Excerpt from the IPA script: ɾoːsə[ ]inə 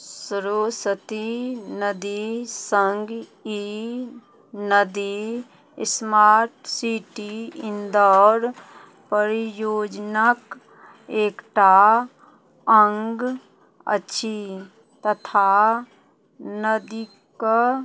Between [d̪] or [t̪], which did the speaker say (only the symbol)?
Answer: t̪